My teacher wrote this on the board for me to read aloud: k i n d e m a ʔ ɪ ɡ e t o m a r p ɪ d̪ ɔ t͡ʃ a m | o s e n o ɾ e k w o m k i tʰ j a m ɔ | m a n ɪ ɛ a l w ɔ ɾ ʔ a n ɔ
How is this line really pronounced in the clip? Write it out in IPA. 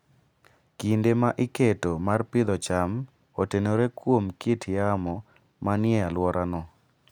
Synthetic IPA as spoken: k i n d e m a ʔ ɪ k e t o m a r p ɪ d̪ ɔ t͡ʃ a m | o t e n o ɾ e k w o m k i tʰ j a m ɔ | m a n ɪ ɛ a l w ɔ ɾ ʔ a n ɔ

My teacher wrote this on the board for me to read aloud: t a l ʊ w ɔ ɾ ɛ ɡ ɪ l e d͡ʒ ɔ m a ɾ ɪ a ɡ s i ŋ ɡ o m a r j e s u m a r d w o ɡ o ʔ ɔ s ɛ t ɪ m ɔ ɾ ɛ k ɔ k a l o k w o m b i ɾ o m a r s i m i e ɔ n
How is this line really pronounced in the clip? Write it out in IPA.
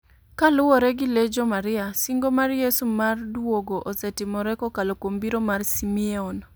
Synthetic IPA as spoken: k a l ʊ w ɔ ɾ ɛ ɡ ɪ l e d͡ʒ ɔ m a ɾ ɪ a s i ŋ ɡ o m a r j e s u m a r d w o ɡ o ʔ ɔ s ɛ t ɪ m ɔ ɾ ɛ k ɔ k a l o k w o m b i ɾ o m a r s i m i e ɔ n

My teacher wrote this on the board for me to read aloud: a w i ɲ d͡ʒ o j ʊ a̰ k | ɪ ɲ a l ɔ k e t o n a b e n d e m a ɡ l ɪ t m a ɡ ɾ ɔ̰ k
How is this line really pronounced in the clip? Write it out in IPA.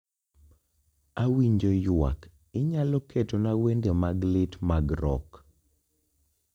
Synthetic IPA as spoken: a w i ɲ d͡ʒ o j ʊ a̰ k | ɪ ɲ a l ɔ k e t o n a w e n d e m a ɡ l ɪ t m a ɡ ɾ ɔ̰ k

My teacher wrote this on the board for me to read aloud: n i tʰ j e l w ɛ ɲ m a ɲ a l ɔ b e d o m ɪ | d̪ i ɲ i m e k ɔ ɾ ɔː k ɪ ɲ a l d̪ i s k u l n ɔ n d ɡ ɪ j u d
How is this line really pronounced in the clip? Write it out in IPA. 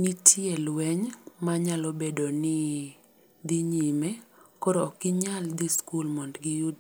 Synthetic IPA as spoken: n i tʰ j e l w ɛ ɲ m a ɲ a l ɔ b e d o n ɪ | d̪ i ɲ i m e k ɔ ɾ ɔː k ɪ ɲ a l d̪ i s k u l m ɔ n d ɡ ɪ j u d

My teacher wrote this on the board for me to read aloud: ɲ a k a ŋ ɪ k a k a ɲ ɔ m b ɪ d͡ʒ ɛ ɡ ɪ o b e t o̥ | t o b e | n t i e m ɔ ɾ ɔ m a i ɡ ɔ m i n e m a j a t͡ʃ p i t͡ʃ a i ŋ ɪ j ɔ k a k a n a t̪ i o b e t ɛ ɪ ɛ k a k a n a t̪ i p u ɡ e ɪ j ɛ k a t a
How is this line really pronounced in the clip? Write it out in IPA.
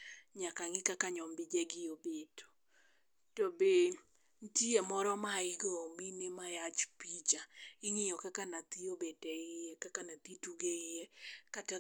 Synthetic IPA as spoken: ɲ a k a ŋ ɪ k a k a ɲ ɔ m b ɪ d͡ʒ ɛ ɡ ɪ o b e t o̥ | t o b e | n t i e m ɔ ɾ ɔ m a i ɡ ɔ m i n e m a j a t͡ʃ p i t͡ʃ a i ŋ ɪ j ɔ k a k a n a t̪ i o b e t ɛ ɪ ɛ k a k a n a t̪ i t u ɡ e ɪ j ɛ k a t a

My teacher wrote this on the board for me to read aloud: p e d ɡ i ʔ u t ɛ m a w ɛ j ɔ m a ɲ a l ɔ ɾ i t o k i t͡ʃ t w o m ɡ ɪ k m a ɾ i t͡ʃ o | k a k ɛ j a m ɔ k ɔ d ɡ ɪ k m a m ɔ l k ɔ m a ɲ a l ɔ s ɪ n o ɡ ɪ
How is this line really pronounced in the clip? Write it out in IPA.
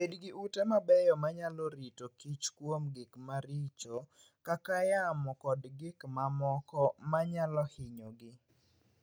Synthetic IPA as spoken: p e d ɡ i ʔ u t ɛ m a b ɛ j ɔ m a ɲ a l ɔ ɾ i t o k i t͡ʃ k w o m ɡ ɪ k m a ɾ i t͡ʃ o | k a k a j a m ɔ k ɔ d ɡ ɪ k m a m ɔ k ɔ m a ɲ a l ɔ h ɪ ɲ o ɡ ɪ

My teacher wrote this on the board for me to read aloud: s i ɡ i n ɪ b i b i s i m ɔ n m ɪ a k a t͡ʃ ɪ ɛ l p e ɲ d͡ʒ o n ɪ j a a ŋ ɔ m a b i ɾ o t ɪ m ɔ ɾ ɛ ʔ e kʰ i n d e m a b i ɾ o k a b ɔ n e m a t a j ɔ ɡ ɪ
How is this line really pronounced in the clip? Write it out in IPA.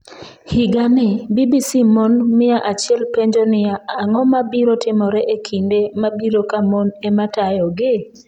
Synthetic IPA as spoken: h i ɡ a n ɪ b i b i s i m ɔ n m ɪ a ʔ a t͡ʃ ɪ ɛ l p e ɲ d͡ʒ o n ɪ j a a ŋ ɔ m a b i ɾ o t ɪ m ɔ ɾ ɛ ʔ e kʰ i n d e m a b i ɾ o k a m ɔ n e m a t a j ɔ ɡ ɪ

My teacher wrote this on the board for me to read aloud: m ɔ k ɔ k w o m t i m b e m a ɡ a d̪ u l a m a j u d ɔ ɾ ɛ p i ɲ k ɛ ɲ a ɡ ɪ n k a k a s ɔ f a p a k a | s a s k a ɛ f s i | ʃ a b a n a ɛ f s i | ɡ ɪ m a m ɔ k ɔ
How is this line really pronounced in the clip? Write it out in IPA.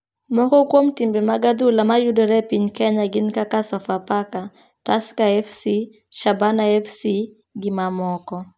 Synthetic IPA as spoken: m ɔ k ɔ k w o m t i m b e m a ɡ a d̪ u l a m a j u d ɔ ɾ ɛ p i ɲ k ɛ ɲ a ɡ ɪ n k a k a s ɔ f a p a k a | t a s k a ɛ f s i | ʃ a b a n a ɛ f s i | ɡ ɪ m a m ɔ k ɔ

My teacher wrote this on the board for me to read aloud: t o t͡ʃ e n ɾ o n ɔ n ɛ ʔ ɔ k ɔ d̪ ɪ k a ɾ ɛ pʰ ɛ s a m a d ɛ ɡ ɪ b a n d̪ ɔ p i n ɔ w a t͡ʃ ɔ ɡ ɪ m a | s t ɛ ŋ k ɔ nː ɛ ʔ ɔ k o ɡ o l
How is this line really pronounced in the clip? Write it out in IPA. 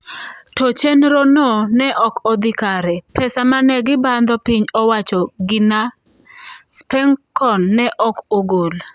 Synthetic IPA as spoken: t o t͡ʃ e n ɾ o n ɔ n ɛ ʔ ɔ k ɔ d̪ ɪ k a ɾ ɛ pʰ ɛ s a m a n ɛ ɡ ɪ b a n d̪ ɔ p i ɲ ɔ w a t͡ʃ ɔ ɡ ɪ n a | s p ɛ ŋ k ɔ nː ɛ ʔ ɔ k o ɡ o l

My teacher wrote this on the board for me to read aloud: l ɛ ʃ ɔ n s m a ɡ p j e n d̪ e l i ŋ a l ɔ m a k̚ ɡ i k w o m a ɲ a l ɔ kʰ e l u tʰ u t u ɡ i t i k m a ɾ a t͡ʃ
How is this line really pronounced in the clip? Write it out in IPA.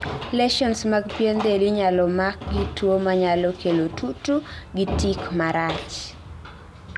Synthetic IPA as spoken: l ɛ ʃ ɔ n s m a ɡ p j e n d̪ e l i ɲ a l ɔ m a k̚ ɡ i t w o m a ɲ a l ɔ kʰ e l o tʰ u t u ɡ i t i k m a ɾ a t͡ʃ

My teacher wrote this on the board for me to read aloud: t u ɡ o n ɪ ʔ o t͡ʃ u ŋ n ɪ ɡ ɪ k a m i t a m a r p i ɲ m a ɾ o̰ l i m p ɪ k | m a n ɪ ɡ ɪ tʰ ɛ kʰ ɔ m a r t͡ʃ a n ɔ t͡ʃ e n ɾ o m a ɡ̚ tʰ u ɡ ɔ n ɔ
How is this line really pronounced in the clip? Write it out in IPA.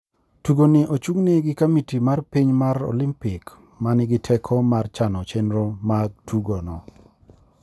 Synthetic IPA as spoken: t u ɡ o n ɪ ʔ o t͡ʃ u ŋ n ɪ ɡ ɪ k a m i t i m a r p i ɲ m a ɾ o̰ l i m p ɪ k | m a n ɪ ɡ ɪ tʰ ɛ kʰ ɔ m a r t͡ʃ a n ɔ t͡ʃ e n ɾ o m a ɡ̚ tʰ u ɡ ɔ n ɔ

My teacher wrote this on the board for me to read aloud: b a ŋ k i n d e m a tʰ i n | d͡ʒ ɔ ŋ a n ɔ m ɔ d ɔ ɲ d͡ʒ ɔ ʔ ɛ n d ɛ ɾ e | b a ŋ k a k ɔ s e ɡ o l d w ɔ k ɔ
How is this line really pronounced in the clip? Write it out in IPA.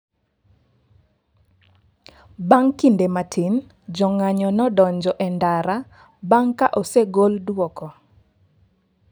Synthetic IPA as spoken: b a ŋ k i n d e m a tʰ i n | d͡ʒ ɔ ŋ a ɲ ɔ n ɔ d ɔ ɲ d͡ʒ ɔ ʔ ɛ n d a ɾ a | b a ŋ k a ʔ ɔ s e ɡ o l d w ɔ k ɔ

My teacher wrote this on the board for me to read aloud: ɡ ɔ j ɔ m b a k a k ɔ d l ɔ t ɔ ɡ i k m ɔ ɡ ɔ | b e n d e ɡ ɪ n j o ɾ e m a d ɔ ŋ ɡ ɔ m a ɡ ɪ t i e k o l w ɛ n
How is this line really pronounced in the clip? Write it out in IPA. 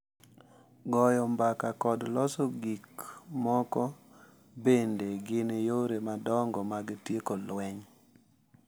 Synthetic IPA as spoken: ɡ ɔ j ɔ m b a k a k ɔ d l ɔ s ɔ ɡ i k m ɔ k ɔ | b e n d e ɡ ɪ n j o ɾ e m a d ɔ ŋ ɡ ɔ m a ɡ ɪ t j e k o l w ɛ ɲ

